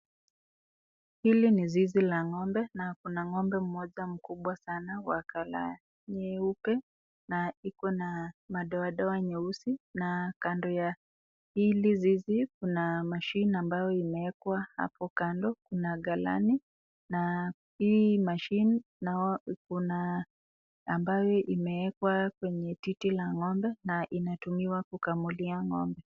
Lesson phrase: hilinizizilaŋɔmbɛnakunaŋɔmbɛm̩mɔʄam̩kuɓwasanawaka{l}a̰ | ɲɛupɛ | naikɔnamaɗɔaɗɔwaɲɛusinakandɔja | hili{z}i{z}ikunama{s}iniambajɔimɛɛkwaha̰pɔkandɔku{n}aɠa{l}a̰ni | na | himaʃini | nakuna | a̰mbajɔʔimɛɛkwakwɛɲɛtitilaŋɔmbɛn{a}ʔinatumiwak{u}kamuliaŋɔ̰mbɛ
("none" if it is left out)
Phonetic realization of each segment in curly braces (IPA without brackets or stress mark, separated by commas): l, z, z, ʃ, n, l, a, u